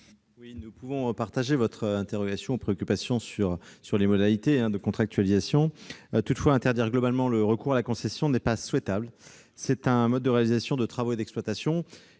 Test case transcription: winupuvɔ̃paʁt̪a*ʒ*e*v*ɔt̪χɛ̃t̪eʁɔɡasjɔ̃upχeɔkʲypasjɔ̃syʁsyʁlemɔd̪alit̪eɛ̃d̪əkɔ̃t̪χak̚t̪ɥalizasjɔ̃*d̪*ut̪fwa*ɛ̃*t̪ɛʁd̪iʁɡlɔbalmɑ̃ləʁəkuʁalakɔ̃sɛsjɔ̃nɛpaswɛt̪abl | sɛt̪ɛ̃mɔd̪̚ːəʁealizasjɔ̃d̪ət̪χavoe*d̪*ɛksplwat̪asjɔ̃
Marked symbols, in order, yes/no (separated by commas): yes, yes, no, yes, yes